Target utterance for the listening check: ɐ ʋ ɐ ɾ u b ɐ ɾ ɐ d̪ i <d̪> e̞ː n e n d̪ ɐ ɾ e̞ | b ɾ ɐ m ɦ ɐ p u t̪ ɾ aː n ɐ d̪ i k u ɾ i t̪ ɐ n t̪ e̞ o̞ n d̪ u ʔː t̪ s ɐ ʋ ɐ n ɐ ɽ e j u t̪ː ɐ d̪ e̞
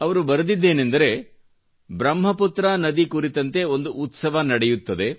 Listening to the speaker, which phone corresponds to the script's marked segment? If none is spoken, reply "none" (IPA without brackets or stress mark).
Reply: d̪ː